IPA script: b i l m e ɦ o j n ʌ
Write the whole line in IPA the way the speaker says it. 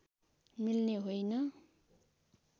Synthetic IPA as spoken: m i l n e ɦ o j n ʌ